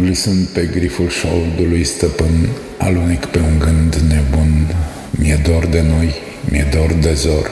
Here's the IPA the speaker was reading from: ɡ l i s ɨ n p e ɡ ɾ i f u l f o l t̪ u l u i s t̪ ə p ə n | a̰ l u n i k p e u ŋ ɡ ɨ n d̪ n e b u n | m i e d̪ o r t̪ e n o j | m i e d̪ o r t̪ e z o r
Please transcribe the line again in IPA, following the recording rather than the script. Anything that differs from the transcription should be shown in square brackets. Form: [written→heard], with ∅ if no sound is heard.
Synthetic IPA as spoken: ɡ l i s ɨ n p e ɡ ɾ i f u l [f→ʃ] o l [t̪→d̪] u l u [i→j] s t̪ ə p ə n | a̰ l u n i k p e u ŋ ɡ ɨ n d̪ n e b u n | m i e d̪ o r [t̪→d̪] e n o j | m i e d̪ o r [t̪→d̪] e z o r